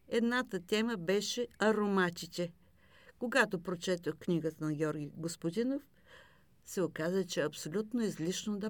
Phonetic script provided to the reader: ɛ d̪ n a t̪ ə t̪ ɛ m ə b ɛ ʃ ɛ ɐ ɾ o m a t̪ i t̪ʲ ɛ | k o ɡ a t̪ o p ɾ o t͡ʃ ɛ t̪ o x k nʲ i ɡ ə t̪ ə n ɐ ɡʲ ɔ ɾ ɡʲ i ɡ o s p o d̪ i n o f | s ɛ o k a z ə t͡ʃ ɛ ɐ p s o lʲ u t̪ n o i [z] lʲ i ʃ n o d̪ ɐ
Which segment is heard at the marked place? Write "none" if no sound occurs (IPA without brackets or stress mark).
z